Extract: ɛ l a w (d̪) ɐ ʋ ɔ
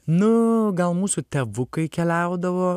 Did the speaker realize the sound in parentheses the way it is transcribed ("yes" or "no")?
yes